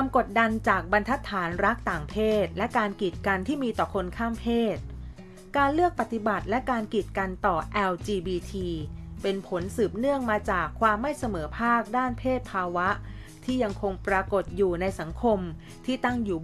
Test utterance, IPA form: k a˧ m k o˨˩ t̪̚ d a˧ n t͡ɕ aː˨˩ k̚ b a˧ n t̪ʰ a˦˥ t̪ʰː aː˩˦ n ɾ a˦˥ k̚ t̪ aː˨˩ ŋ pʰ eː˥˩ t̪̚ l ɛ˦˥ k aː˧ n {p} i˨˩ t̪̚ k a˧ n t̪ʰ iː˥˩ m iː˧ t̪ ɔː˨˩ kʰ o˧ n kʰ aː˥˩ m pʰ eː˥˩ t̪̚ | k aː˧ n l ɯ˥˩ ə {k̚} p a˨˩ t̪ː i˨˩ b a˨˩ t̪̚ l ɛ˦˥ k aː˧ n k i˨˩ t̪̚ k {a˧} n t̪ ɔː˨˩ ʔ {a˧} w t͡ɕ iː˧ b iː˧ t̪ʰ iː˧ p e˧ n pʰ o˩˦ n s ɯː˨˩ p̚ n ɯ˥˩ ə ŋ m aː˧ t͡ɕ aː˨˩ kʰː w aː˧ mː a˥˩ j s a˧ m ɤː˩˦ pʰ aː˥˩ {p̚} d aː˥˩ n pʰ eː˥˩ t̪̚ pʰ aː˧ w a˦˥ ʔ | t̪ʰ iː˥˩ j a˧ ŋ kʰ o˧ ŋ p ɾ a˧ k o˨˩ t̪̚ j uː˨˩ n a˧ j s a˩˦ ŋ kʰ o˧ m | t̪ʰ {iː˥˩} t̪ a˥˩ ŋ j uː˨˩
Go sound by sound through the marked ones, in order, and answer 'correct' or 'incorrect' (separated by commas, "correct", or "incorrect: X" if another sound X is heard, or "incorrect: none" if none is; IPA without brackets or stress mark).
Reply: incorrect: k, correct, correct, incorrect: ɛ˧, incorrect: k̚, correct